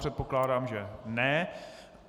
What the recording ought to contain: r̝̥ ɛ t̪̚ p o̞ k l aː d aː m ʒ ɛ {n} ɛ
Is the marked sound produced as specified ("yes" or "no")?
yes